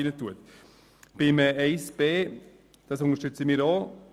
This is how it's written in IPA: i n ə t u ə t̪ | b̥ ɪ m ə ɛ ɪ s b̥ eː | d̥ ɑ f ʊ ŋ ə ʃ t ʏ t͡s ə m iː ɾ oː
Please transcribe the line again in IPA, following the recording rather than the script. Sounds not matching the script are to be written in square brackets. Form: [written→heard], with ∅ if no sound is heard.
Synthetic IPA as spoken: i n ə t u ə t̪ | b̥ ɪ m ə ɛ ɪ s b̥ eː | d̥ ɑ [f→s] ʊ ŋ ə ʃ t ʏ t͡s ə m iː ɾ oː